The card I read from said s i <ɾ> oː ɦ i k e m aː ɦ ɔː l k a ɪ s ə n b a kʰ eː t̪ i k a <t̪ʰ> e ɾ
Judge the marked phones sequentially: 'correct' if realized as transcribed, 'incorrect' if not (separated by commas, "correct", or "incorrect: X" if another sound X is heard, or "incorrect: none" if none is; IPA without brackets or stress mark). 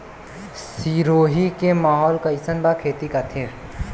correct, correct